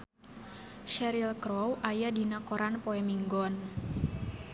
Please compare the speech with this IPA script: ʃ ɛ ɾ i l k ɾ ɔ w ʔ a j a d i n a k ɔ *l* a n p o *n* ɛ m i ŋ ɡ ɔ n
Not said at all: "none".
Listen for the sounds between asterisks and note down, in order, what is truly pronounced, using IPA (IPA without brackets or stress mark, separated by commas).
ɾ, none